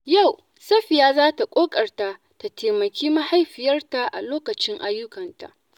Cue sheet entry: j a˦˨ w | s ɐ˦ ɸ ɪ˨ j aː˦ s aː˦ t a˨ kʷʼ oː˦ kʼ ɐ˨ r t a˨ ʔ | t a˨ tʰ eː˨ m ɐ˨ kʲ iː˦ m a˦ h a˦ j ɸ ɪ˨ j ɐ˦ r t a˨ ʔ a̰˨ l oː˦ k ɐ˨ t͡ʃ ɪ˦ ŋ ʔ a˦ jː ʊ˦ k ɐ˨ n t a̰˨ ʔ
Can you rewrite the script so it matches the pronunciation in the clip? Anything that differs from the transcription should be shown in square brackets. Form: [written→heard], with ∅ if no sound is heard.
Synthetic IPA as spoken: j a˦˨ w | s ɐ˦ ɸ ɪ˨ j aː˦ [s→z] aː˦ t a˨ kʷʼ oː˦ kʼ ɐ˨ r t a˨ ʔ | t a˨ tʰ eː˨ m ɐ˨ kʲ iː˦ m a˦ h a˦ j ɸ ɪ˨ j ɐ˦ r t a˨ ʔ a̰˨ l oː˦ k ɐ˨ t͡ʃ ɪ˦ ŋ ʔ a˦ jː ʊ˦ k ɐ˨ n t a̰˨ ʔ